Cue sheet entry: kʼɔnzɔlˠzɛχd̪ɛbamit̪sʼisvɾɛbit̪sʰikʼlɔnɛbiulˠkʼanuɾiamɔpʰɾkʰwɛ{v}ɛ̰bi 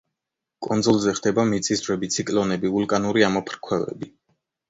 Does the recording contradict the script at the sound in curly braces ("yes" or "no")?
no